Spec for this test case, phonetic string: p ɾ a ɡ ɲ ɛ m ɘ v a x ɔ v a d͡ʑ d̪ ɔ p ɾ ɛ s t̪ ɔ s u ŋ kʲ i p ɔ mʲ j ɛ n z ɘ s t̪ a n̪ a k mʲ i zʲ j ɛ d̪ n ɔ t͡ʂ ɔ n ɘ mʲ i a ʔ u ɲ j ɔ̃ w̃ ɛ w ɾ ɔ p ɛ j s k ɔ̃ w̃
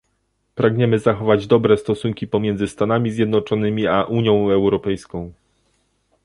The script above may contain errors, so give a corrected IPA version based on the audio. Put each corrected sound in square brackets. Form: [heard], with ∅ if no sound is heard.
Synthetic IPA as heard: p ɾ a ɡ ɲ ɛ m ɘ [z] a x ɔ v a d͡ʑ d̪ ɔ [b] ɾ ɛ s t̪ ɔ s u ŋ kʲ i p ɔ mʲ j ɛ n z ɘ s t̪ a n̪ a [∅] mʲ i zʲ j ɛ d̪ n ɔ t͡ʂ ɔ n ɘ mʲ i a ʔ u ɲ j ɔ̃ w̃ ɛ w ɾ ɔ p ɛ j s k ɔ̃ w̃